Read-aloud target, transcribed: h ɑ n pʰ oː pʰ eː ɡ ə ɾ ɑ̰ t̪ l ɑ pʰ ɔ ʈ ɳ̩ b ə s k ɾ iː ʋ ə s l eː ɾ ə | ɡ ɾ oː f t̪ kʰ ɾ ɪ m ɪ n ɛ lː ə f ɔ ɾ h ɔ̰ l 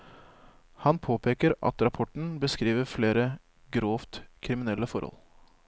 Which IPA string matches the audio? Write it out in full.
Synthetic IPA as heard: h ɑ n pʰ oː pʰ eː k ə ɾ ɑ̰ t̪ ɾ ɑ pʰ ɔ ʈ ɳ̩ b ə s k ɾ iː ʋ ə f l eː ɾ ə | ɡ ɾ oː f t̪ kʰ ɾ ɪ m ɪ n ɛ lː ə f ɔ ɾ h ɔ̰ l